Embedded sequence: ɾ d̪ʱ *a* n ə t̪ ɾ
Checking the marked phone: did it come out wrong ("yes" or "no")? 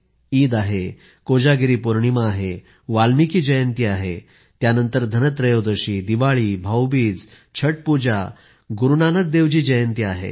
yes